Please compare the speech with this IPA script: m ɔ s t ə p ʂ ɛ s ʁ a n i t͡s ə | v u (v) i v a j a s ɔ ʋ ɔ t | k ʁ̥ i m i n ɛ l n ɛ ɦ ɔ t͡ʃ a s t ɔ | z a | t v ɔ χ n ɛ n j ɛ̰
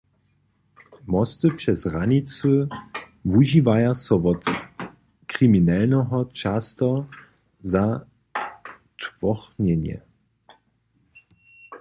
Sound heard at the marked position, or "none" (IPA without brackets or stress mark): ʒ